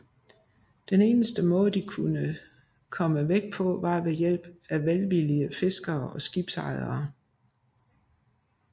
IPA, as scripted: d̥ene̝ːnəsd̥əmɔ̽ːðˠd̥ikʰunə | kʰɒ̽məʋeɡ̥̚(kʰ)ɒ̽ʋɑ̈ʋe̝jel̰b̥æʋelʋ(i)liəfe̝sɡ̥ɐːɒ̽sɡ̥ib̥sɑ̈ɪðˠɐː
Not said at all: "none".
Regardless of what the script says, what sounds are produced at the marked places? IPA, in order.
pʰ, i

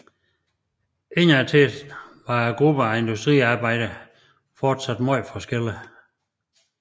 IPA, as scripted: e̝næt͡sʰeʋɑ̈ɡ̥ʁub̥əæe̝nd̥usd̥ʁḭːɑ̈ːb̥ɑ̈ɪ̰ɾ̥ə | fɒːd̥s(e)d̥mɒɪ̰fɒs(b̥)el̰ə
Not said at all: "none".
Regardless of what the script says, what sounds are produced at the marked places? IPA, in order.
æ, ɡ̥

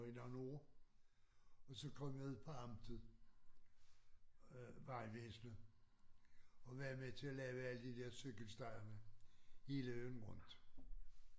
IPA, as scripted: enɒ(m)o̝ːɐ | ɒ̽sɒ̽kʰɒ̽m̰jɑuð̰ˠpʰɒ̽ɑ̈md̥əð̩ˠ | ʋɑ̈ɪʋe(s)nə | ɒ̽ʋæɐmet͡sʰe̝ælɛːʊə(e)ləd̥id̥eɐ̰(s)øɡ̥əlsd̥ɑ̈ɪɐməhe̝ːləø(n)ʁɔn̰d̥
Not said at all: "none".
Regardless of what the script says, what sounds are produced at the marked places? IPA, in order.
n, s, æ, s, n

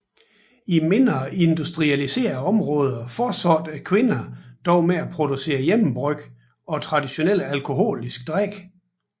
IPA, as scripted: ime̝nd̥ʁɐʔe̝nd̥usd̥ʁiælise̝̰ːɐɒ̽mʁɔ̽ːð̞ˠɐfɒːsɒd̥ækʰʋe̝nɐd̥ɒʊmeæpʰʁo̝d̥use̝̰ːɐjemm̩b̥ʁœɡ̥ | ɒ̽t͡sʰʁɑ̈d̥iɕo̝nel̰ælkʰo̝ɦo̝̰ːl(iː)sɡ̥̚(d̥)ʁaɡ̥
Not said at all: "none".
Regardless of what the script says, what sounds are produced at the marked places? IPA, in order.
i, d̥

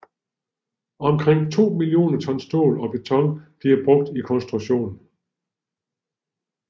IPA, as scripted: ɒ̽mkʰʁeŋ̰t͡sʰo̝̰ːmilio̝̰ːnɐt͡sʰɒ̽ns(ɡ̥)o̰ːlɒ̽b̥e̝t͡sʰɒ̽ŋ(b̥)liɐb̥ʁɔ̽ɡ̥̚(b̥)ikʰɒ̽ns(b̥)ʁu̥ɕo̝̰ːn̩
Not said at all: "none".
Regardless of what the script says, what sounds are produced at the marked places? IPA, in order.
d̥, b̥, d̥, d̥

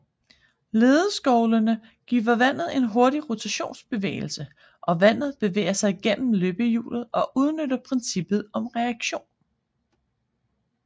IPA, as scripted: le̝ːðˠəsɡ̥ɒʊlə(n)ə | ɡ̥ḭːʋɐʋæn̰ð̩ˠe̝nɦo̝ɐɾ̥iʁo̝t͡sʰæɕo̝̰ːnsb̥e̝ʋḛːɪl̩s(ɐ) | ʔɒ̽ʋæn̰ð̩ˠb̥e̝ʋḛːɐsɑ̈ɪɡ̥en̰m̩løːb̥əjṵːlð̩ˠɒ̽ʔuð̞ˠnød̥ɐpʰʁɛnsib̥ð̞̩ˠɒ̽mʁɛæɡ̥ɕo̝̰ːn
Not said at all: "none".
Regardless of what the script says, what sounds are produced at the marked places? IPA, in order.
n, ə

